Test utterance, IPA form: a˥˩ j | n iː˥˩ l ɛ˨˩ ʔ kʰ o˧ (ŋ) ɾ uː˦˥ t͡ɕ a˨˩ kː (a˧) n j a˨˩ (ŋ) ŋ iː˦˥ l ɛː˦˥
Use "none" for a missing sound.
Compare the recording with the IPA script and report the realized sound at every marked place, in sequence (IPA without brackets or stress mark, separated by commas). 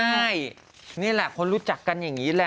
n, a˧, ŋ